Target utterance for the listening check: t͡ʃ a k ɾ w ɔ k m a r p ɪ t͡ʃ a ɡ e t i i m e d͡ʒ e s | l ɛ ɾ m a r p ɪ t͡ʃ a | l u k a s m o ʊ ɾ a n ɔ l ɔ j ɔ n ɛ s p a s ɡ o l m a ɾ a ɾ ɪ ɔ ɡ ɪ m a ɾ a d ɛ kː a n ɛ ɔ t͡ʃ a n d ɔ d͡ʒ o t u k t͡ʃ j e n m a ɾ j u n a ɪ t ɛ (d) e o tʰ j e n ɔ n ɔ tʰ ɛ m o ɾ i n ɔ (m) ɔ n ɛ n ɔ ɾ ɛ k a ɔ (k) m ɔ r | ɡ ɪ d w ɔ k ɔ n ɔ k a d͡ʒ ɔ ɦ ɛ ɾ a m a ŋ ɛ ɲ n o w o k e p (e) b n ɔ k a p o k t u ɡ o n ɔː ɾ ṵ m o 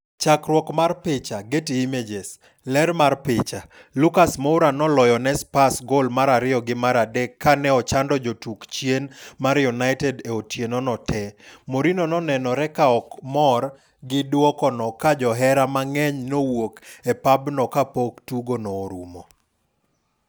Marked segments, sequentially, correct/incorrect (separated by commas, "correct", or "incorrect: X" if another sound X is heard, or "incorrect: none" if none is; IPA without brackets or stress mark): correct, incorrect: n, correct, incorrect: a